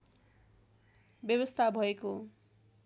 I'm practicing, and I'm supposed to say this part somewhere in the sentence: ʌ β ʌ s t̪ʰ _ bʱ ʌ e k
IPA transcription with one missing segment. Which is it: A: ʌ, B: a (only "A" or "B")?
B